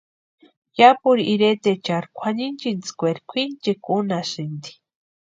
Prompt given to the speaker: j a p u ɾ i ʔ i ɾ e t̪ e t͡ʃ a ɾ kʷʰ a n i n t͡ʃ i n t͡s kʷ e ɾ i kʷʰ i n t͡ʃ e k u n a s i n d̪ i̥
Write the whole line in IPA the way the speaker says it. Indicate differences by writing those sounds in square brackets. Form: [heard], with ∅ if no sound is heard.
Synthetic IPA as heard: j a p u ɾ i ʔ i ɾ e t̪ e t͡ʃ a ɾ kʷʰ a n i n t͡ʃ i n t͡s kʷ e ɾ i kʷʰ i n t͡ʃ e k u n a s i n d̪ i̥